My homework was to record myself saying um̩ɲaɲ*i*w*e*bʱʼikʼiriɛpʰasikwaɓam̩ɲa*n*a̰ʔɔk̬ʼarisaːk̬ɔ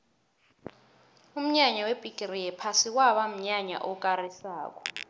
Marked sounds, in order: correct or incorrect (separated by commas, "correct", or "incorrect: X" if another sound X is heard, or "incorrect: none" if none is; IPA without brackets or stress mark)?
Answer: incorrect: a, correct, incorrect: ɲ